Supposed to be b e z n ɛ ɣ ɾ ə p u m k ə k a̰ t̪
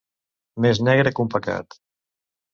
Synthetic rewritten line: m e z n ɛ ɣ ɾ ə k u m p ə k a̰ t̪